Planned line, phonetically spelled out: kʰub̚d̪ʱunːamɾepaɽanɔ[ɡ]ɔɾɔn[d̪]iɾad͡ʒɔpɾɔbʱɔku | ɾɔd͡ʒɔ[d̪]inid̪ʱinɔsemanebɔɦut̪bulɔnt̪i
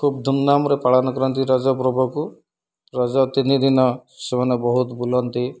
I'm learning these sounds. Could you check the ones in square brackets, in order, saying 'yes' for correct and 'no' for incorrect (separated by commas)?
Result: no, no, no